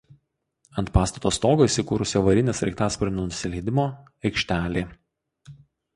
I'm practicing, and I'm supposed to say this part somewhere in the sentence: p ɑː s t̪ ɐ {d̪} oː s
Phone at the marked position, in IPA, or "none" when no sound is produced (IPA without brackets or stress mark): t̪